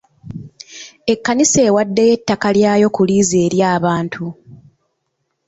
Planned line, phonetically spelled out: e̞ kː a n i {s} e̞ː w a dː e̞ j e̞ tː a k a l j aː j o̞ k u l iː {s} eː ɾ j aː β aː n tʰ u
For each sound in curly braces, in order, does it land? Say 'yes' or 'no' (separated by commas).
yes, no